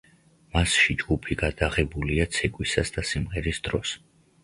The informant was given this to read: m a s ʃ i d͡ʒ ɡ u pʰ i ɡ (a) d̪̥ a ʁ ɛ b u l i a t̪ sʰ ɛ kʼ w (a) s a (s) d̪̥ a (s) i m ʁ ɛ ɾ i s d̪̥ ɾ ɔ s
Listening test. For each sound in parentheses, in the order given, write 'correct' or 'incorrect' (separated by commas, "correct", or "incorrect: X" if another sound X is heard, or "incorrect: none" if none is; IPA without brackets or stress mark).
correct, incorrect: i, correct, correct